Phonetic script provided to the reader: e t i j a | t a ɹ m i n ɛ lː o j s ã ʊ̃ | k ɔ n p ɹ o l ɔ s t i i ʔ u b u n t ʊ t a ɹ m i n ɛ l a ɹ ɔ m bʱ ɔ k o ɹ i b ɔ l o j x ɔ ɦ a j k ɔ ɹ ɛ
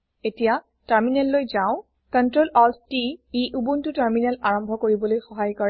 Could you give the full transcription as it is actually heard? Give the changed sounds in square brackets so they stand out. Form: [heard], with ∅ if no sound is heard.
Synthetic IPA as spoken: e t i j a | t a ɹ m i n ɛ lː o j [z] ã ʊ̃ | k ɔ n [t] ɹ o l ɔ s t i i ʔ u b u n t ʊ t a ɹ m i n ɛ l a ɹ ɔ m bʱ ɔ k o ɹ i b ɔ l o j x ɔ ɦ a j k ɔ ɹ ɛ